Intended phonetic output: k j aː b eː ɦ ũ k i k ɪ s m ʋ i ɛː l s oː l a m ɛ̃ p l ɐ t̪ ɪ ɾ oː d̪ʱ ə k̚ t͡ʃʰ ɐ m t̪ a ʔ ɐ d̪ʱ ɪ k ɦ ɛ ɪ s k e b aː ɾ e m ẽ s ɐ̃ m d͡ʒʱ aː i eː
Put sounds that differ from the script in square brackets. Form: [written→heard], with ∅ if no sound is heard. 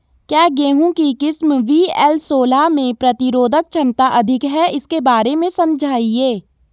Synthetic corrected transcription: k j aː [b→ɡ] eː ɦ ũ k i k ɪ s m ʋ i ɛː l s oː l a m [ɛ̃→ẽ] p [l→ɾ] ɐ t̪ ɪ ɾ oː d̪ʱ ə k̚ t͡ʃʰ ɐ m t̪ a ʔ ɐ d̪ʱ ɪ k ɦ ɛ ɪ s k e b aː ɾ e m ẽ s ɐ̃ m d͡ʒʱ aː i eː